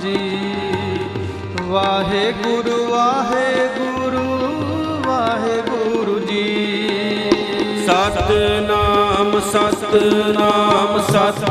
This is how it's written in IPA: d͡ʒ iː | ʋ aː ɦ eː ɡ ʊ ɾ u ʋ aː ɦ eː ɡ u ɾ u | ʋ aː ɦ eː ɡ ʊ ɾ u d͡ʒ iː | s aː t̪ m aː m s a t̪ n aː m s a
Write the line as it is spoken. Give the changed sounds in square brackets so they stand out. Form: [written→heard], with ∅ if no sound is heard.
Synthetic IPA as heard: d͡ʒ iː | ʋ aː ɦ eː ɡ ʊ ɾ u ʋ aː ɦ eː ɡ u ɾ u | ʋ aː ɦ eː ɡ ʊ ɾ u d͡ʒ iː | s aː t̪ [m→n] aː m s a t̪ n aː m s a